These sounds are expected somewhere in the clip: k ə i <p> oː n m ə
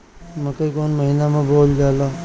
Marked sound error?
yes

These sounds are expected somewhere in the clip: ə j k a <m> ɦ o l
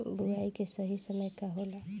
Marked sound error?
yes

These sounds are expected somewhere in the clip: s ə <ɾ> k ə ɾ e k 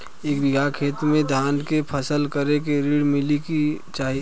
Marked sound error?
yes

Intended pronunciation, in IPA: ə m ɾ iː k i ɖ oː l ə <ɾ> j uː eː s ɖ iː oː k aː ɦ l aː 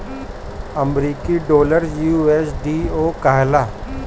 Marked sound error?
no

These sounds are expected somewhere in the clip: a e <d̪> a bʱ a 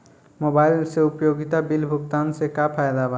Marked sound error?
no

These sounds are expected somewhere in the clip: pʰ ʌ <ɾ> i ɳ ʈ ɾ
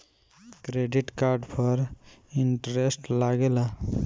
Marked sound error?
no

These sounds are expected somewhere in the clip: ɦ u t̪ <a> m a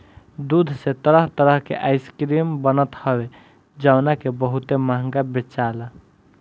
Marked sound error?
yes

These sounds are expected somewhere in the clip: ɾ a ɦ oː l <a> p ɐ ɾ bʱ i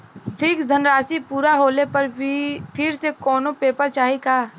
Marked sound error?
yes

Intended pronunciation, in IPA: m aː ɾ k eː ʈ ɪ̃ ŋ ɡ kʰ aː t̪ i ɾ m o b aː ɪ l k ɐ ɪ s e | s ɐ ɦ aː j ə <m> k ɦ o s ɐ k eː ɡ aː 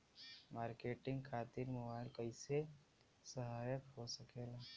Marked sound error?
yes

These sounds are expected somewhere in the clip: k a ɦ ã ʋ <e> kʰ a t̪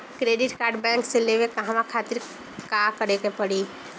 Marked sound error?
yes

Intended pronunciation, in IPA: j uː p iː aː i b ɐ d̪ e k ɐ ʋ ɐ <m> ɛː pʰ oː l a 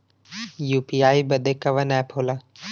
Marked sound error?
yes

